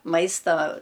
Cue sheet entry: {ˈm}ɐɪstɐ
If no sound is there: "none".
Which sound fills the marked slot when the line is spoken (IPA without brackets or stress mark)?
m